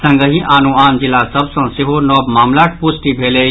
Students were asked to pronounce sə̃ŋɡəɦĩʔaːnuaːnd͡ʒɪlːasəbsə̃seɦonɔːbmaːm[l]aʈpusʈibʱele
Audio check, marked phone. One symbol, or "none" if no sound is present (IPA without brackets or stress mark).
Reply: l